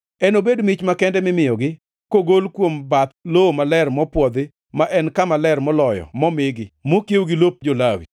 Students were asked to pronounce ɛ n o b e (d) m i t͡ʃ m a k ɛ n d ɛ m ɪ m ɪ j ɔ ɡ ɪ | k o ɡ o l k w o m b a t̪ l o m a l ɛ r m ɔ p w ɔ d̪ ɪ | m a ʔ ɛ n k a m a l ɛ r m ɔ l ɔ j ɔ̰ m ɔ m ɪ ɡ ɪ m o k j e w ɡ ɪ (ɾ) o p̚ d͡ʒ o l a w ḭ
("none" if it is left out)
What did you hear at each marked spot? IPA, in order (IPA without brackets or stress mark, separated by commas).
d, l